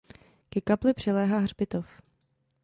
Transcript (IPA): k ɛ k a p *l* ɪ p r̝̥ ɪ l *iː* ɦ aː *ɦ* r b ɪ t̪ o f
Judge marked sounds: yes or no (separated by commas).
yes, no, yes